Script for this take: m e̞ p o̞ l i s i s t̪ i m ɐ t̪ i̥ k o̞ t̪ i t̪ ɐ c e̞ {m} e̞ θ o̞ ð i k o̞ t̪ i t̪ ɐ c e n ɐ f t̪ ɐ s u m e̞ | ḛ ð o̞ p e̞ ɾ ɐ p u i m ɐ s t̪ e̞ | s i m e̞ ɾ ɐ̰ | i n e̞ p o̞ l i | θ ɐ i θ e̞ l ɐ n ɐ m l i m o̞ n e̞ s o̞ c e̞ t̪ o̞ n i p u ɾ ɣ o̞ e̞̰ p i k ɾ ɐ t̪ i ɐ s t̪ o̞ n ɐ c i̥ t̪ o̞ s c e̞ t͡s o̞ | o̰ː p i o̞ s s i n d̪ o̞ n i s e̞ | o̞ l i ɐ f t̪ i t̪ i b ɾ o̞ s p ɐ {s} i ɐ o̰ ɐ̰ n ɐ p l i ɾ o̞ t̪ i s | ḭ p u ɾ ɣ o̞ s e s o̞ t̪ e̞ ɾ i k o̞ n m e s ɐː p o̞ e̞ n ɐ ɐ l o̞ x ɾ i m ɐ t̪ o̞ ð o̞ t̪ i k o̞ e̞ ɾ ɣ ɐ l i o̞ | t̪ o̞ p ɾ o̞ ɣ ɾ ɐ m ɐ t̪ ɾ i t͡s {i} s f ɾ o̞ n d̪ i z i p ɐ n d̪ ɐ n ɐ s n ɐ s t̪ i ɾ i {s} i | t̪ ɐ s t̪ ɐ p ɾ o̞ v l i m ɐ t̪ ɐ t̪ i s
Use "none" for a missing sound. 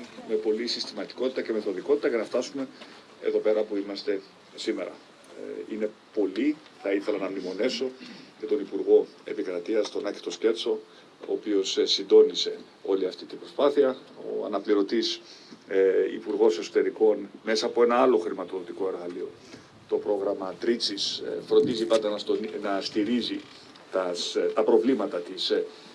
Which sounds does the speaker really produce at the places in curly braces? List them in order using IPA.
m, θ, i, z

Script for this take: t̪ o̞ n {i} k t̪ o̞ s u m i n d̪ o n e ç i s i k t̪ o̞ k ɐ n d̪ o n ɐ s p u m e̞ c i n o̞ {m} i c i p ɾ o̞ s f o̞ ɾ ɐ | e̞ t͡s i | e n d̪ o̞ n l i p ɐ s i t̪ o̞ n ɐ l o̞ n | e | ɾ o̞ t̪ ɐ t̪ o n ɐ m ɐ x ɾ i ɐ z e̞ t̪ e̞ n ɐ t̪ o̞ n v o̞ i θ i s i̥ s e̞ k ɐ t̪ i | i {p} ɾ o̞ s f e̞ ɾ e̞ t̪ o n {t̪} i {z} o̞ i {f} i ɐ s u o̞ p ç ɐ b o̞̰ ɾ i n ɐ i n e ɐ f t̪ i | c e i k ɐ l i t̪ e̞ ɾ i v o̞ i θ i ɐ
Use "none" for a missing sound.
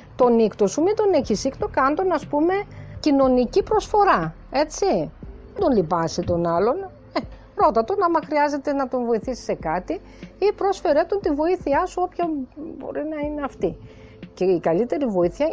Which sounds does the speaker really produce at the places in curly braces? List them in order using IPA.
i, n, p, t̪, v, θ

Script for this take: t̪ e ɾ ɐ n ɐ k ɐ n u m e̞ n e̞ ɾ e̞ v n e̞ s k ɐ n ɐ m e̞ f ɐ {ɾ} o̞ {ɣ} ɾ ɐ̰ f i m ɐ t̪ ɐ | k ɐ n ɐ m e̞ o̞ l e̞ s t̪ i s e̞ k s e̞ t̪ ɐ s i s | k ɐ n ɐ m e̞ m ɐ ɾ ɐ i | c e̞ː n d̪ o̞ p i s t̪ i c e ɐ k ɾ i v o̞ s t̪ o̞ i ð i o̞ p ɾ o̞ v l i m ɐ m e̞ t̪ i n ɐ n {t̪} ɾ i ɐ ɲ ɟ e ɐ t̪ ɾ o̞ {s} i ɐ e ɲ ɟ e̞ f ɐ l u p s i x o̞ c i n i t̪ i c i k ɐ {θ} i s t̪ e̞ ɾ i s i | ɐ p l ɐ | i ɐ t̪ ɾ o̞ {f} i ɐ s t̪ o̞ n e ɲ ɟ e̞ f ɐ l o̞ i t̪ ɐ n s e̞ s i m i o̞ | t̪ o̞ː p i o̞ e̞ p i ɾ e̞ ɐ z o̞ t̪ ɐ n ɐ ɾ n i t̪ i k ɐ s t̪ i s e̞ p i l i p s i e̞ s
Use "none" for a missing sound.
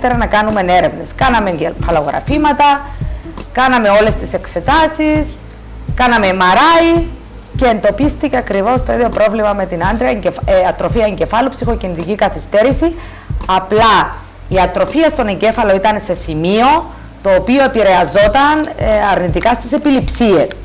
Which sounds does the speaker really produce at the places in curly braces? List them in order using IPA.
l, ɣ, d̪, f, θ, f

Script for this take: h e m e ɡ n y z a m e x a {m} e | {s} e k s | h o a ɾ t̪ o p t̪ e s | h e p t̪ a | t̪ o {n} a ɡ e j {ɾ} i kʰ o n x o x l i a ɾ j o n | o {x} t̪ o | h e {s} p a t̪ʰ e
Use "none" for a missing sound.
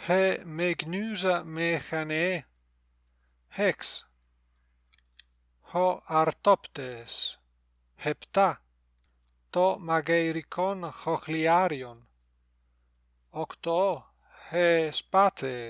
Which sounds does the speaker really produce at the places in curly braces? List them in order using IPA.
n, h, m, ɾ, k, s

